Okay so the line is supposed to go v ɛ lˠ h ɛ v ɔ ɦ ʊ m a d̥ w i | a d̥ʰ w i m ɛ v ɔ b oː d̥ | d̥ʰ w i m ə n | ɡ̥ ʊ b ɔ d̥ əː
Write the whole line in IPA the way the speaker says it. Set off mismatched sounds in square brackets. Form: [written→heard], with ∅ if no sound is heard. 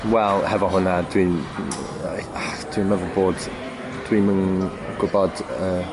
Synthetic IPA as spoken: [v→w] ɛ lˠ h ɛ v ɔ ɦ ʊ [m→n] a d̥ w i | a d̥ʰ w i m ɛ v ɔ b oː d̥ | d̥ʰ w i m ə n | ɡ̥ ʊ b ɔ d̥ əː